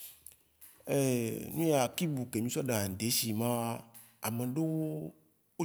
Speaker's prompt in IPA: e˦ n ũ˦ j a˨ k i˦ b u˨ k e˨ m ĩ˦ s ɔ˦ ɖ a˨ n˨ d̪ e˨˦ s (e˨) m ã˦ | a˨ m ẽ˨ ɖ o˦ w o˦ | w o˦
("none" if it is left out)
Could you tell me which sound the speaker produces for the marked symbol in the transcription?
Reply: i˨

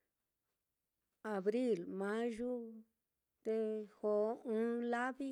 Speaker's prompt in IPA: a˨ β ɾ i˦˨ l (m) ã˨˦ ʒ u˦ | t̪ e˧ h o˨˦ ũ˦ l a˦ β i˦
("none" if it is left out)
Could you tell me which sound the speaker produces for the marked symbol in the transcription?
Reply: m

